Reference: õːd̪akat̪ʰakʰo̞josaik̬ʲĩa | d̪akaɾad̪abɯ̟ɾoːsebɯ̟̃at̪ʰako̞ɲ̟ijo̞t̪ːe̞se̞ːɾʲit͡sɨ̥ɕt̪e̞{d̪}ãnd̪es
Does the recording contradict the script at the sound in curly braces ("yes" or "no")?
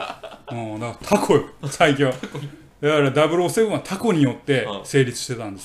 yes